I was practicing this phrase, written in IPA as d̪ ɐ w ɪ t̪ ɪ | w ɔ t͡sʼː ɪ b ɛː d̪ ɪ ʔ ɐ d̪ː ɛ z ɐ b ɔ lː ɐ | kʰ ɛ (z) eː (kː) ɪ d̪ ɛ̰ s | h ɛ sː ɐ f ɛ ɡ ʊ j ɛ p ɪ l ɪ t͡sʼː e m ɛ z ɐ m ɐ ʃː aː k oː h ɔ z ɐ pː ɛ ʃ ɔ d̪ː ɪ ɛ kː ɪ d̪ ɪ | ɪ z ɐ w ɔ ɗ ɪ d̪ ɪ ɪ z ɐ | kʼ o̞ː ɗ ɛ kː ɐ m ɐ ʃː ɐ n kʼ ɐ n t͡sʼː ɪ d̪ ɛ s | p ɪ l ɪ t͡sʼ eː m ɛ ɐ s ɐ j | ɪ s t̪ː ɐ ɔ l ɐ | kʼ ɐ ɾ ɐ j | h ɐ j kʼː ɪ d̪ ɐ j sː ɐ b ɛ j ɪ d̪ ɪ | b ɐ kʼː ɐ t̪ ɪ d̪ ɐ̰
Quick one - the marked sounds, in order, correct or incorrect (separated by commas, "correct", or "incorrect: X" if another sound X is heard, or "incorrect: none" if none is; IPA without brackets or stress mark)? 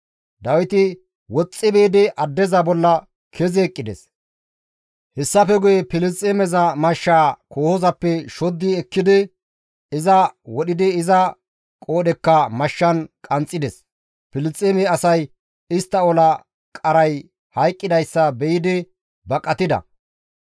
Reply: correct, incorrect: kʼː